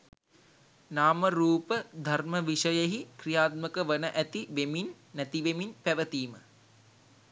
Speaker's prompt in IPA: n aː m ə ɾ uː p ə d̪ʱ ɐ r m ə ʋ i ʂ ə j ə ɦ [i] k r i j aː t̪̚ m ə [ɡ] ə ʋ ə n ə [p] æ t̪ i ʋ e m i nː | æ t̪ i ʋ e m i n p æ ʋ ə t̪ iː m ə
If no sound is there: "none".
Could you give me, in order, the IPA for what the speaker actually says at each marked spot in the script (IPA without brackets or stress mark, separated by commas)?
i, k, ʔ